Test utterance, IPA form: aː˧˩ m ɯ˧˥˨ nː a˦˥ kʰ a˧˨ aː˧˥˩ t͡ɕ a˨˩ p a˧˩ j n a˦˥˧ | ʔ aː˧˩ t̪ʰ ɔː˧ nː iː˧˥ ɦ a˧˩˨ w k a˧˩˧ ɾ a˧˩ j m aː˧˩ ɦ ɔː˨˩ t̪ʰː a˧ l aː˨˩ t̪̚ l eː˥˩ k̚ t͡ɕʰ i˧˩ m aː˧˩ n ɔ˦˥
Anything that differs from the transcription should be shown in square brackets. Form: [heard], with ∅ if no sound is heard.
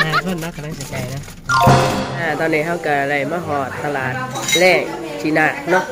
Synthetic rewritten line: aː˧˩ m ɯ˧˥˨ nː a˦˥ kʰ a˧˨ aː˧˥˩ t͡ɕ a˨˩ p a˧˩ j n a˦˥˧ | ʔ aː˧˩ [t̪] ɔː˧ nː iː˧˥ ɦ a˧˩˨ w k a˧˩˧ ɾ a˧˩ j m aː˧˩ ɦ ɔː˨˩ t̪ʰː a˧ l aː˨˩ t̪̚ l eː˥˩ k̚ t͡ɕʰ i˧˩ [n] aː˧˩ n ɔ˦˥